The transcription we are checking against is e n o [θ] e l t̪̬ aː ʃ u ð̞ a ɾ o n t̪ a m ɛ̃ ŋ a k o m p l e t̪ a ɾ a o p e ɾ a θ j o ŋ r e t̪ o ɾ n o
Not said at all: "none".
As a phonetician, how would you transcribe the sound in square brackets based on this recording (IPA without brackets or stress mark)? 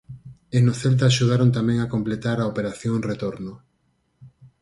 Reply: θ